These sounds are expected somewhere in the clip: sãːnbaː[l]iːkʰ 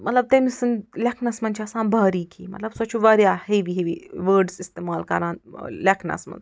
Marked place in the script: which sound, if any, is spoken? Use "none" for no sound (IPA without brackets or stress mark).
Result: ɾ